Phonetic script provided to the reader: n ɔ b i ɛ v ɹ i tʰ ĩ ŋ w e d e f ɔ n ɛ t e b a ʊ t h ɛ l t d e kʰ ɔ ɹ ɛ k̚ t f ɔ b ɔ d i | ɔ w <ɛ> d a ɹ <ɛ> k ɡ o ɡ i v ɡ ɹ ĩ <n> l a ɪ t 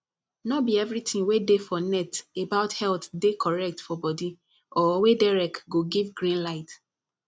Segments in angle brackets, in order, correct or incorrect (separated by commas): incorrect, correct, correct